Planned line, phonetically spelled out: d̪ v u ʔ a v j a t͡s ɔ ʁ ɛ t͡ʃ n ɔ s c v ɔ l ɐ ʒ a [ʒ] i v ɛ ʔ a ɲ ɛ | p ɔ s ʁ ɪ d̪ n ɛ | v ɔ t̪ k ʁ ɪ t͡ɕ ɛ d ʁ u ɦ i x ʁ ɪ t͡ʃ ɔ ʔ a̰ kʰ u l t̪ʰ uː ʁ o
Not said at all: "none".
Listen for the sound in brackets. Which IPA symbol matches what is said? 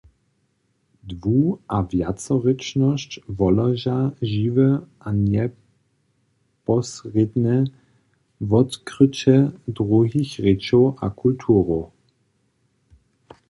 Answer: ʒ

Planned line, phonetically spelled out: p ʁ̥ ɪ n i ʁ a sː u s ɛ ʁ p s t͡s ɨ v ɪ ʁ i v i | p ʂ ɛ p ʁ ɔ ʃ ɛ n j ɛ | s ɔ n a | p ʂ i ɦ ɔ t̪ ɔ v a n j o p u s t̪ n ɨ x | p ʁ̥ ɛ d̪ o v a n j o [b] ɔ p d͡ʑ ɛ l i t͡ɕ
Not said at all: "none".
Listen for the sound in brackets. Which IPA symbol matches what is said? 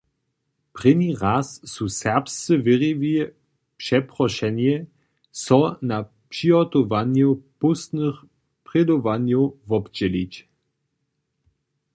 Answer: v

